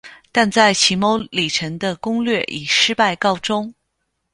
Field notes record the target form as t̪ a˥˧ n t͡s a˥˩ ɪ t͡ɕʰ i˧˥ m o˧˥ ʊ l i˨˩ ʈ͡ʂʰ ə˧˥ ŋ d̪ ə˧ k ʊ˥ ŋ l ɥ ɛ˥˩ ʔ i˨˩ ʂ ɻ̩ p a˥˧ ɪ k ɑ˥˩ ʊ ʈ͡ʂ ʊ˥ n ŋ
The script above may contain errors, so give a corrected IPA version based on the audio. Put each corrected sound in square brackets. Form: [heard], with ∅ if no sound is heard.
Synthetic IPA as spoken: t̪ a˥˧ n t͡s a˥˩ ɪ t͡ɕʰ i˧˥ m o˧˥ ʊ l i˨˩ ʈ͡ʂʰ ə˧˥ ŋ d̪ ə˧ k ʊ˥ ŋ l ɥ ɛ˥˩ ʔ i˨˩ ʂ ɻ̩ p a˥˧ ɪ k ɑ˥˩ ʊ ʈ͡ʂ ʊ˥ [∅] ŋ